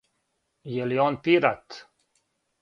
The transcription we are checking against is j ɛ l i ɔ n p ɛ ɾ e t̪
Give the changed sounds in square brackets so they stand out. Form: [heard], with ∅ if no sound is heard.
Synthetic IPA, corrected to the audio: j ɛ l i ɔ n p [i] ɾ [a] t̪